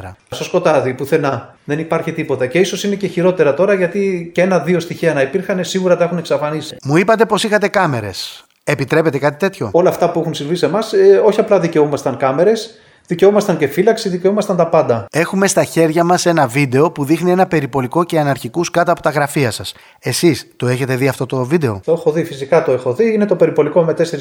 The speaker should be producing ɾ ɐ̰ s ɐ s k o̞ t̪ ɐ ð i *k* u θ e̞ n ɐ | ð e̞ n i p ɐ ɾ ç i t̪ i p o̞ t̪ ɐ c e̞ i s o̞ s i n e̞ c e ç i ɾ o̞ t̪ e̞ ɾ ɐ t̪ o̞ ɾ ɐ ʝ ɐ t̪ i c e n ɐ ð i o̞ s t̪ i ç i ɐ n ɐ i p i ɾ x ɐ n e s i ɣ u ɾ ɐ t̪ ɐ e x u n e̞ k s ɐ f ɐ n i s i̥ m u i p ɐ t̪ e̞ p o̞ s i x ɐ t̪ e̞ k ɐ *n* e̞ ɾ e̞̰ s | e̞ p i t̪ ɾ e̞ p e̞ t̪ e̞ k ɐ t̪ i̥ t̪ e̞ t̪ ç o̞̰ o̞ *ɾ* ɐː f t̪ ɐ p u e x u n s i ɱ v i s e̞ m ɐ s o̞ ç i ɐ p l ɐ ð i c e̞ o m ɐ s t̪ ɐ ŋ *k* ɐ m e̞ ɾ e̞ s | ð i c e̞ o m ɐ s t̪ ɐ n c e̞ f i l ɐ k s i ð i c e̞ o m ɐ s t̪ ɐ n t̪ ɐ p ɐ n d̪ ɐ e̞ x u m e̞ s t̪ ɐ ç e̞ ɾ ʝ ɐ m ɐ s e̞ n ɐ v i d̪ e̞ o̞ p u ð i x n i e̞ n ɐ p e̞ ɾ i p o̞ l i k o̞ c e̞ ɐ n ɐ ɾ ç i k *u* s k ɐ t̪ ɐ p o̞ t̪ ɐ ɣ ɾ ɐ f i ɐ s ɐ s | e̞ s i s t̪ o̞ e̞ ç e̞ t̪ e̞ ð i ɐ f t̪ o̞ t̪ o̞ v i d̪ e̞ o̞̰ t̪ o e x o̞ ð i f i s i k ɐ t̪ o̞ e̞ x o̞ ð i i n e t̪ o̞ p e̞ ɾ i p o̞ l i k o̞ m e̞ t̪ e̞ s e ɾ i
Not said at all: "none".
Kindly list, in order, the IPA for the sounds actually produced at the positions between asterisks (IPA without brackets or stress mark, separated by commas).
p, m, l, k, u